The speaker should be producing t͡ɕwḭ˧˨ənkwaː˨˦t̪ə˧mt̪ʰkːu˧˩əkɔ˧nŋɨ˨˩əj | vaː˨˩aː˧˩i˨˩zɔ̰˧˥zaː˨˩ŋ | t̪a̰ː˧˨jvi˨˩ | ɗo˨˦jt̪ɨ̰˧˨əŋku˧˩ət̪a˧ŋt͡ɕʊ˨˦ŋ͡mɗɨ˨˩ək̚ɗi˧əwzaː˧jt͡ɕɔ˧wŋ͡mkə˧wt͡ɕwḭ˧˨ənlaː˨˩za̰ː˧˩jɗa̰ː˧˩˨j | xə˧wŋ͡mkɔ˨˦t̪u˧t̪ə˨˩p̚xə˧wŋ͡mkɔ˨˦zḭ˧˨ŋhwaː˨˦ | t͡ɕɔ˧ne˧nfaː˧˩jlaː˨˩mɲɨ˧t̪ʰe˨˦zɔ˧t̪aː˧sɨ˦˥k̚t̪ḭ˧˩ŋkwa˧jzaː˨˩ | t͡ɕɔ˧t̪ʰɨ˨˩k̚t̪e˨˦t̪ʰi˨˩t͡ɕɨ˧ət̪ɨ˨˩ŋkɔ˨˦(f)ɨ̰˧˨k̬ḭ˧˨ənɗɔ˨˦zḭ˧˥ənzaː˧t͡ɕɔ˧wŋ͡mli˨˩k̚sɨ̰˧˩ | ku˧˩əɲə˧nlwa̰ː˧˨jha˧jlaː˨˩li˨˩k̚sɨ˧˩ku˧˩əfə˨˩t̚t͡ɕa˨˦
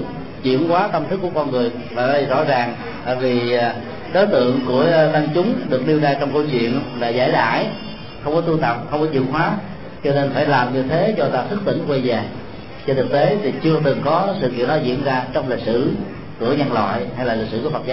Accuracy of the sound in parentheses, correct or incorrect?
incorrect